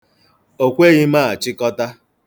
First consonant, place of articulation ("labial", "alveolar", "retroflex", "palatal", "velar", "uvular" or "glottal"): velar